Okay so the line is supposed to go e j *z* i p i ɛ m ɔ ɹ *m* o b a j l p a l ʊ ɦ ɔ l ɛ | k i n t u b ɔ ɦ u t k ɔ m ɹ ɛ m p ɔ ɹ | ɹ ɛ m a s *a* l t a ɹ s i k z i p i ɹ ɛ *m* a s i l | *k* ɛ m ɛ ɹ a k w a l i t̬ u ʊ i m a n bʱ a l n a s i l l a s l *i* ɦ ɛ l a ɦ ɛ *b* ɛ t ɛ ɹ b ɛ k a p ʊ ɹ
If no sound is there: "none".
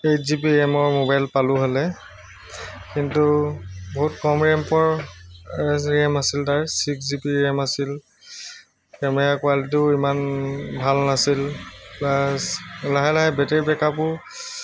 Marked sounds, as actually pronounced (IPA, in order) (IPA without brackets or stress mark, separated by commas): z, m, i, m, k, a, b